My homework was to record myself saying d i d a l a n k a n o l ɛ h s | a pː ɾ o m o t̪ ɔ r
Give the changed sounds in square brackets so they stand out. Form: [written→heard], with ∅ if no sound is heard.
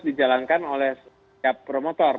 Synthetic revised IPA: d i [d→d͡ʒ] a l a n k a n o l ɛ h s | a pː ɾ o m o t̪ ɔ r